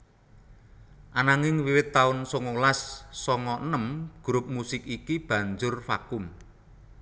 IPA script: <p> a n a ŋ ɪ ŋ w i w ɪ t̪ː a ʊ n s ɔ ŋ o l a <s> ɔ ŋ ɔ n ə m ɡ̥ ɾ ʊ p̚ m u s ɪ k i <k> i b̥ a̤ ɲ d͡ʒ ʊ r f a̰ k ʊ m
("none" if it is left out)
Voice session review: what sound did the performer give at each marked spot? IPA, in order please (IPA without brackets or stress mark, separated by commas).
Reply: ʔ, sː, k